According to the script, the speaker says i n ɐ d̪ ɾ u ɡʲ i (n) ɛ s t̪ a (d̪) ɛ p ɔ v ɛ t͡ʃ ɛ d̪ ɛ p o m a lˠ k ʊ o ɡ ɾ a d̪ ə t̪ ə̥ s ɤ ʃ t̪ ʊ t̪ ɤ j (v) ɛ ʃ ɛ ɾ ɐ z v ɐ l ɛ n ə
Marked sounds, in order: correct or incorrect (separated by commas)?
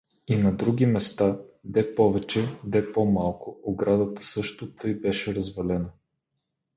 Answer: incorrect, correct, incorrect